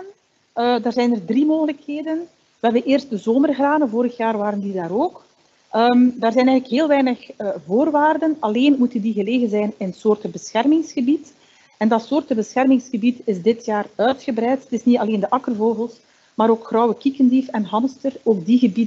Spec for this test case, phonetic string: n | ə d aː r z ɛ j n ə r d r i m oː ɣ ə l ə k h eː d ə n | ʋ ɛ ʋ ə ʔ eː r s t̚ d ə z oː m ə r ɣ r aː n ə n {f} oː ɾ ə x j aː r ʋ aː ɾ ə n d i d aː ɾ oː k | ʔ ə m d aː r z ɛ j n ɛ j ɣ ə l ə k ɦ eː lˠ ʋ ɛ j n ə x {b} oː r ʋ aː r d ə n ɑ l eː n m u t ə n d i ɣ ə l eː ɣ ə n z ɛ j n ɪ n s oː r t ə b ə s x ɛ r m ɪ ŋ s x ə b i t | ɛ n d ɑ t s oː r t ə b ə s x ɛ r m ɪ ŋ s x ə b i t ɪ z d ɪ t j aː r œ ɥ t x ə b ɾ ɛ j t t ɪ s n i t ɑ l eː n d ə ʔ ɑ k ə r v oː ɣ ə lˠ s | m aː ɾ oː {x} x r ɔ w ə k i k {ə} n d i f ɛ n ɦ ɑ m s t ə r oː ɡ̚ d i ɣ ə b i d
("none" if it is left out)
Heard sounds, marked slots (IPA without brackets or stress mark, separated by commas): v, v, k, ə